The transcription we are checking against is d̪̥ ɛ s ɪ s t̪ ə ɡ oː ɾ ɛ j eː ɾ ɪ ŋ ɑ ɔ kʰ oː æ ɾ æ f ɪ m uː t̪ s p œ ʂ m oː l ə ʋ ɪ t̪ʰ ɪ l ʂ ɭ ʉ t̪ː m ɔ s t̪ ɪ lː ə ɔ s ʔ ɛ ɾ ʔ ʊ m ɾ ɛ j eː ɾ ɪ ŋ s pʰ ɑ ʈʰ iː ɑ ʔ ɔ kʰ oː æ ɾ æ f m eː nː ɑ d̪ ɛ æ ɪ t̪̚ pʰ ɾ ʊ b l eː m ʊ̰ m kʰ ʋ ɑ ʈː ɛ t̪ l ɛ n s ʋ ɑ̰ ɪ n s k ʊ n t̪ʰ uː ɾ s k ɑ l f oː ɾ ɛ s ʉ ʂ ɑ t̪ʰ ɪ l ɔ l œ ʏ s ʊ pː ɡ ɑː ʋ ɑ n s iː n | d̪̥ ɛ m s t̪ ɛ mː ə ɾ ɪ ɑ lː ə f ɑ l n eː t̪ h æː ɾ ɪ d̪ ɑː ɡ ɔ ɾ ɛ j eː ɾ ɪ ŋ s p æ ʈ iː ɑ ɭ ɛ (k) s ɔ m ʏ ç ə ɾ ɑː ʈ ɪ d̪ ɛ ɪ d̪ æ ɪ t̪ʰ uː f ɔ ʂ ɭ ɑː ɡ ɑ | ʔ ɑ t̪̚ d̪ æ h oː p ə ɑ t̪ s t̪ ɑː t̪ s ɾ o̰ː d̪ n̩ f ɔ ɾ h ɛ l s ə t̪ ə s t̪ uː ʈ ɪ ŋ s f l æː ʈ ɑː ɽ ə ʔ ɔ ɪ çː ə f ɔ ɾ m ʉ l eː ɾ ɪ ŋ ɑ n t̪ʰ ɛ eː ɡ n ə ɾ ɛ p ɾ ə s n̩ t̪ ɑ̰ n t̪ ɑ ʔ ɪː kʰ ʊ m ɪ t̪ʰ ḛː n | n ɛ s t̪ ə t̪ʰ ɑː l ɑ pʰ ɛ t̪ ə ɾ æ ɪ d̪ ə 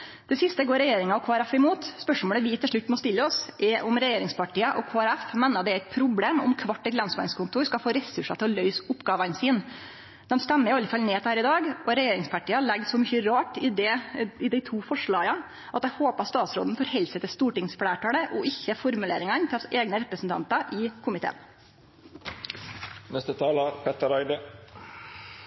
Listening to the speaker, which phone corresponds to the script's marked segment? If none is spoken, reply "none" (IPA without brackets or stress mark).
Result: ɡ